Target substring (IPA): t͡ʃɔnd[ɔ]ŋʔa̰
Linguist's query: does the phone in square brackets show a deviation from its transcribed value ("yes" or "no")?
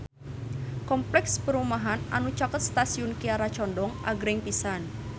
no